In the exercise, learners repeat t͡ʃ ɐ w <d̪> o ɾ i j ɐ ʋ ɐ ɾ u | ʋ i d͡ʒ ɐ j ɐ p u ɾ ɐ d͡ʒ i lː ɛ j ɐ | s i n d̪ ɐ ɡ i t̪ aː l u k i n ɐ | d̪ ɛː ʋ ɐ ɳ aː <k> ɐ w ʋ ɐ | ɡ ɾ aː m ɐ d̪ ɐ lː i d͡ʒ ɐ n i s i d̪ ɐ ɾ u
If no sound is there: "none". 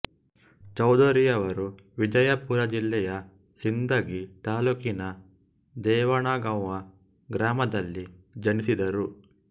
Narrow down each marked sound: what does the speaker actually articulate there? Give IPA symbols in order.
d̪, ɡ

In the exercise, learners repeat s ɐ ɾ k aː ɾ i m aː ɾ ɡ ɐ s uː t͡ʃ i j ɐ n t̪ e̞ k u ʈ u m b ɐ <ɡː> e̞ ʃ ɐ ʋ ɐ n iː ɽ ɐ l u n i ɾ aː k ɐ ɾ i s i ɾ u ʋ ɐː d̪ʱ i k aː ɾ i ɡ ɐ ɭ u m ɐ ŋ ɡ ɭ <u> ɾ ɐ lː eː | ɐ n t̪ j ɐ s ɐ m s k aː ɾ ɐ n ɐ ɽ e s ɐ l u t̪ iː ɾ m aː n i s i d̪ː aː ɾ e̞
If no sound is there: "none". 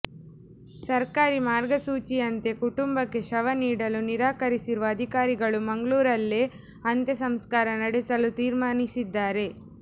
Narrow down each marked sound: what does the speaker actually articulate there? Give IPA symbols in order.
kː, uː

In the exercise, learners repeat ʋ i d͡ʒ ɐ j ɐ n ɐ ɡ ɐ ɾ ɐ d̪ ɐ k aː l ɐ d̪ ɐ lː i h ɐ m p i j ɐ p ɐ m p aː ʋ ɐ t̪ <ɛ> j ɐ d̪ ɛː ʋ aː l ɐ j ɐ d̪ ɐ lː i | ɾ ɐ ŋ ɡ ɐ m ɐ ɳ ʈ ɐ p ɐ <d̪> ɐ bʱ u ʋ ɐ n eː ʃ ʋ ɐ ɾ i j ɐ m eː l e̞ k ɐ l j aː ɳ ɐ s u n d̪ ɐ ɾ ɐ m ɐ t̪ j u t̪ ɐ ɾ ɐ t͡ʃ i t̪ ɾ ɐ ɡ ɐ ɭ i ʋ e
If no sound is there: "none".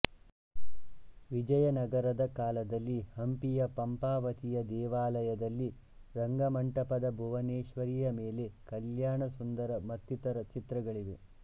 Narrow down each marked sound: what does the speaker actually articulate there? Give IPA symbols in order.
i, d̪

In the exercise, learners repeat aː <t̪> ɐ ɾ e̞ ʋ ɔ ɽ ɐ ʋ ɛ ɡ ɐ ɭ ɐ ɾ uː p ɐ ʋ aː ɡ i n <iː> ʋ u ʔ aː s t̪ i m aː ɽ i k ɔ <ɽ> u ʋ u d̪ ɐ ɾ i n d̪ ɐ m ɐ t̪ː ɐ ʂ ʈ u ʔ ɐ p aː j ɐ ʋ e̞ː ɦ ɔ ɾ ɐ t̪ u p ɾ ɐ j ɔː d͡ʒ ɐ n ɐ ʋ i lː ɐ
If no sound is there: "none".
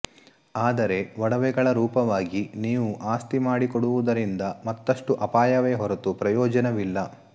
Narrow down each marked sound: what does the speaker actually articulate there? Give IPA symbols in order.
d̪, iː, ɽ

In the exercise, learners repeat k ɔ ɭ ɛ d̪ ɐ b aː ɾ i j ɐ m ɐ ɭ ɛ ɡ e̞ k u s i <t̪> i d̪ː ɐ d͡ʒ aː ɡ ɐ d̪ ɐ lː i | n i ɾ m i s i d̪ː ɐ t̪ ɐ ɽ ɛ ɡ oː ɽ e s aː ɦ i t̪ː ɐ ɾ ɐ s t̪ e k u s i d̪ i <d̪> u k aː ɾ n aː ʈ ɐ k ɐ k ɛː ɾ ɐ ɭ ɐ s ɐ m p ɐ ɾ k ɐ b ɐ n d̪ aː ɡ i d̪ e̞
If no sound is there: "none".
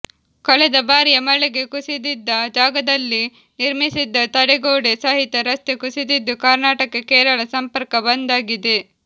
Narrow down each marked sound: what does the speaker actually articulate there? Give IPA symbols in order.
d̪, d̪ː

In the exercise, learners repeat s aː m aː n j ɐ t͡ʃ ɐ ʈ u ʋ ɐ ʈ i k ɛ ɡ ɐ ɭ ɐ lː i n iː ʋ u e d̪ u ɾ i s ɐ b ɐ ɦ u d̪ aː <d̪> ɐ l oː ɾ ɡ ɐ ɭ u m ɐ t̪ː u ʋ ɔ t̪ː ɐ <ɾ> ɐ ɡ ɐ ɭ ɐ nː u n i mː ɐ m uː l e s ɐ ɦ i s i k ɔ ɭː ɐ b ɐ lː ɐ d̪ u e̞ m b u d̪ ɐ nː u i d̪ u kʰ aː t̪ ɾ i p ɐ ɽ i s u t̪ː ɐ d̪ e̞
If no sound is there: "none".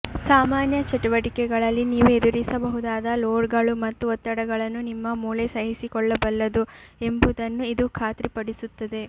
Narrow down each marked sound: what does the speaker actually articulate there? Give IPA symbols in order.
d̪, ɽ

